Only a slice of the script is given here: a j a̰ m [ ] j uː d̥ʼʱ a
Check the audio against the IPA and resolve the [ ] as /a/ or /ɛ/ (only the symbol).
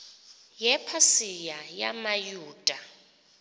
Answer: a